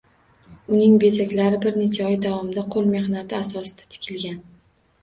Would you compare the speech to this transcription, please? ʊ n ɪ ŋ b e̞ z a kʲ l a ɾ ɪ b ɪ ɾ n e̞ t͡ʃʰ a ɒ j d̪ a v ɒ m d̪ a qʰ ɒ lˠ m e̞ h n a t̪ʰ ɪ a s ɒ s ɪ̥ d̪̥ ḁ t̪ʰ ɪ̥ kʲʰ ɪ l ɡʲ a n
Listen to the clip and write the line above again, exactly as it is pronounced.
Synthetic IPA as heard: ʊ n ɪ ŋ b e̞ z a kʲ l a ɾ ɪ b ɪ ɾ n e̞ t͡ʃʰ a ɒ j d̪ a v ɒ m d̪ a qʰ o lˠ m e̞ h n a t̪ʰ ɪ a s ɒ s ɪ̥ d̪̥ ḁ t̪ʰ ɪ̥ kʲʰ ɪ l ɡʲ a n